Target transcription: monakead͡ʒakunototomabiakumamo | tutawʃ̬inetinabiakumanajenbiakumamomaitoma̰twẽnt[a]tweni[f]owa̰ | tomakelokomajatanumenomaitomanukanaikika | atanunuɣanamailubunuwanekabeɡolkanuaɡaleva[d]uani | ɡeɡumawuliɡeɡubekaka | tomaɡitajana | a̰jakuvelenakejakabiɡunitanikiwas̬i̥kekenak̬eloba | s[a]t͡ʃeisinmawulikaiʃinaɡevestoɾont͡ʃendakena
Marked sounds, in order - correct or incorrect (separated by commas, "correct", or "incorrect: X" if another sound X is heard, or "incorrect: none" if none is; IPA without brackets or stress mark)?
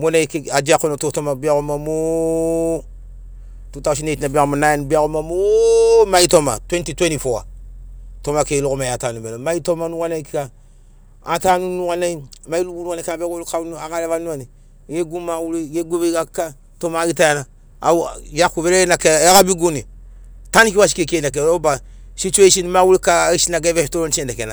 incorrect: i, correct, incorrect: n, incorrect: i